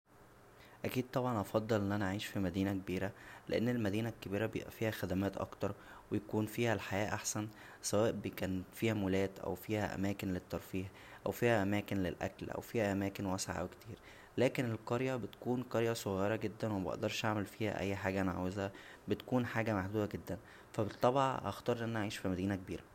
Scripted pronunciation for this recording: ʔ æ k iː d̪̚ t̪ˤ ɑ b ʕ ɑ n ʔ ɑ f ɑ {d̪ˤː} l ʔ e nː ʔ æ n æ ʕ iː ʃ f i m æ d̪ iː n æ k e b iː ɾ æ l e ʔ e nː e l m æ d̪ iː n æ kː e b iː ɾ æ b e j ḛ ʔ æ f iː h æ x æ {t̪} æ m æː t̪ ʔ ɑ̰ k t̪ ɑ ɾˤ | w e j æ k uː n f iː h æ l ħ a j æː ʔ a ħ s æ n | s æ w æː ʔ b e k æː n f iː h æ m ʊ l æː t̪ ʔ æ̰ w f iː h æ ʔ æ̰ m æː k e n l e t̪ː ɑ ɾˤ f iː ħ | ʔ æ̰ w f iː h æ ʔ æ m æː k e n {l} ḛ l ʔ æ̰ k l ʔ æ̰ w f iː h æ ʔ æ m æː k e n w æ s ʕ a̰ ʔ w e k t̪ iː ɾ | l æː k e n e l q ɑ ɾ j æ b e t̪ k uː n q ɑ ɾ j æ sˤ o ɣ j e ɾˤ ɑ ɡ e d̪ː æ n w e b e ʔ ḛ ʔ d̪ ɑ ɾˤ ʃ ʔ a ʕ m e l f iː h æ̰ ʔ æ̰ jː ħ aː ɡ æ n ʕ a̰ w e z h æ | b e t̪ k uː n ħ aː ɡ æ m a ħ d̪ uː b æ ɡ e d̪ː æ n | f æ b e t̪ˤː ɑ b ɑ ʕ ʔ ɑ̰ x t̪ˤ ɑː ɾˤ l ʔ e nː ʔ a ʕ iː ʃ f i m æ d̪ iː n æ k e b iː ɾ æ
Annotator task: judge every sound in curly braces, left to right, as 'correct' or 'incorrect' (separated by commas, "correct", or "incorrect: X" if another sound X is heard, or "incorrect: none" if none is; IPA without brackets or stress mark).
correct, incorrect: d̪, correct